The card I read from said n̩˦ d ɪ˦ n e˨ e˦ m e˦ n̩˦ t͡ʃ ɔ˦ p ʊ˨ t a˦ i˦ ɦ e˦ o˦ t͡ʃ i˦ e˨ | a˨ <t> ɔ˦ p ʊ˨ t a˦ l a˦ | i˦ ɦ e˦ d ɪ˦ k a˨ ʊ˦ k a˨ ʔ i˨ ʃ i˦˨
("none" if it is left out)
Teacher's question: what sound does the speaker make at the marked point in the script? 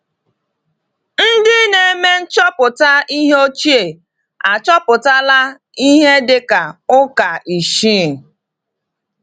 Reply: t͡ʃ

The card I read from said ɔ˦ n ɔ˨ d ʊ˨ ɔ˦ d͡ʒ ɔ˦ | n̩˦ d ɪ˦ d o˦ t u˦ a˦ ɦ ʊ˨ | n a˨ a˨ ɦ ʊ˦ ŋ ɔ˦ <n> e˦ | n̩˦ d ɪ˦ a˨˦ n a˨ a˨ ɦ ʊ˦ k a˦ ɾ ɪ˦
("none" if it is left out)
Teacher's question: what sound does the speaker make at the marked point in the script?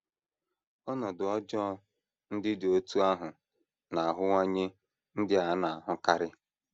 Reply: ɲ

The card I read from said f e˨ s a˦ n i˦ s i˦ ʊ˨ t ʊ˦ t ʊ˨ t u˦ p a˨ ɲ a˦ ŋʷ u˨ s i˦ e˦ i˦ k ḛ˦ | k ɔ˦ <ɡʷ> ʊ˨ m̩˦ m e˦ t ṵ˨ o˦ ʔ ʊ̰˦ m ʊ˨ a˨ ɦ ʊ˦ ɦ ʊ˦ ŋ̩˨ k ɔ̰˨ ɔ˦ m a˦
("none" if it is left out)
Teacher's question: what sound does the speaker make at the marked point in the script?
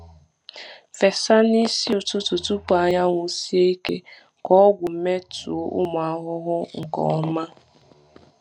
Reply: ɡʷ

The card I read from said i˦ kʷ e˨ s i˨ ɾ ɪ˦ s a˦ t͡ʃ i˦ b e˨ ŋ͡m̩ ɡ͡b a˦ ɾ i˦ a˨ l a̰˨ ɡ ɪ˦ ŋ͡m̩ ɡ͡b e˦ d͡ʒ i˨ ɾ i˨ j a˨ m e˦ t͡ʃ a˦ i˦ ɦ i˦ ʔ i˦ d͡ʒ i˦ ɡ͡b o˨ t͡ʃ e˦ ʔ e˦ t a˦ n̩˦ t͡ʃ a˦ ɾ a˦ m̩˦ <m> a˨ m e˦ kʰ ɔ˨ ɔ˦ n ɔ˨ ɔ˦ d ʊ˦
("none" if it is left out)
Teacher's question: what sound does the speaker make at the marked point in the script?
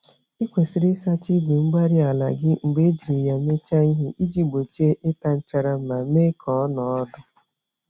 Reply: m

